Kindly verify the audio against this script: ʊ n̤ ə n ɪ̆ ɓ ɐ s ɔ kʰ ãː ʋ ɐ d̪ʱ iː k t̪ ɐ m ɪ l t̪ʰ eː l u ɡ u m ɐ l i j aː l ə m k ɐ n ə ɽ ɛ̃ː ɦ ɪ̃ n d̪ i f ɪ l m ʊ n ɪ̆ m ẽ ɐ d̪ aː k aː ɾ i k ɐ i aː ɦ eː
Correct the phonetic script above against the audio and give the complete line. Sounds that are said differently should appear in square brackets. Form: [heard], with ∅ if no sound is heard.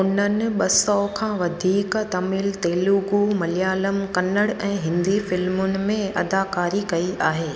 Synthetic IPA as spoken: ʊ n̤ ə n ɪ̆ ɓ ɐ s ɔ kʰ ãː ʋ ɐ d̪ʱ iː k t̪ ɐ m ɪ l [t̪] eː l u ɡ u m ɐ l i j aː l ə m k ɐ n ə ɽ ɛ̃ː ɦ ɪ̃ n d̪ i f ɪ l m ʊ n ɪ̆ m ẽ ɐ d̪ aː k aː ɾ i k ɐ i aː ɦ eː